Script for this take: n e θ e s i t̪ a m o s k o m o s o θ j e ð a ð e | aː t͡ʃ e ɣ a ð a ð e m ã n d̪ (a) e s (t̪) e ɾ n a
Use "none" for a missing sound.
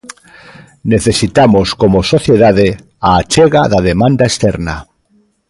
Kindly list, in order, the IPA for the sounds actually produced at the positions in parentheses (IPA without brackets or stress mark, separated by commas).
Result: a, t̪